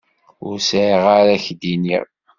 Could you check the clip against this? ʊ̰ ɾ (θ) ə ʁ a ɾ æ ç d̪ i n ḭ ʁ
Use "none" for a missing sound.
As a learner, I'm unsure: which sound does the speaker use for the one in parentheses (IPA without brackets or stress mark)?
s